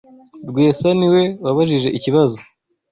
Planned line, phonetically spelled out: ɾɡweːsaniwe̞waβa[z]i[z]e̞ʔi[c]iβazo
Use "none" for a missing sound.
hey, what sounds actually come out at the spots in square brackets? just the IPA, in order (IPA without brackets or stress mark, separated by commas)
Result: ʒ, ʒ, c